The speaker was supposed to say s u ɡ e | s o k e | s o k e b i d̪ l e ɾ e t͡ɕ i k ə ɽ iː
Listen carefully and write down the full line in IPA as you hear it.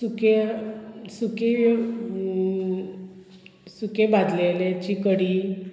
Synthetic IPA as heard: s u k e | s u k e | s u k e b a d̪ l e l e t͡ɕ i k ə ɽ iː